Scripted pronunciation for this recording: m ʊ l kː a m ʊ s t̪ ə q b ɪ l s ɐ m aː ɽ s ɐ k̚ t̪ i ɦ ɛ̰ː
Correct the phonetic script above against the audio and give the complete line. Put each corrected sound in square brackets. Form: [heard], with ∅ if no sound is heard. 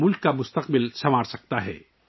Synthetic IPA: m ʊ l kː a m ʊ s t̪ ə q b ɪ l s ɐ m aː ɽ s ɐ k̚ t̪ [a] ɦ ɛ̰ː